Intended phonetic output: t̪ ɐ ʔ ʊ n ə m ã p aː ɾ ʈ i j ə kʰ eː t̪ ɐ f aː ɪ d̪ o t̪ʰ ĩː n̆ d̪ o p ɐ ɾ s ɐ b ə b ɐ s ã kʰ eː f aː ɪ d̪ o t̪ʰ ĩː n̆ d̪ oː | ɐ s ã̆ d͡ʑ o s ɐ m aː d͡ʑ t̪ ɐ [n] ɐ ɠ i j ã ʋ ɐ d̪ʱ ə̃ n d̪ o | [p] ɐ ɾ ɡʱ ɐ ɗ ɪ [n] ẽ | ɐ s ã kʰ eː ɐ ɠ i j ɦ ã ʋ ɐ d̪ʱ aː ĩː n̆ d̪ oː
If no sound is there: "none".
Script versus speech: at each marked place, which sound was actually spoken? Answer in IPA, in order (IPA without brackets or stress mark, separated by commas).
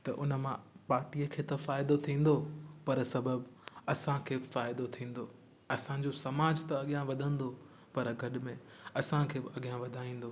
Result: none, p, m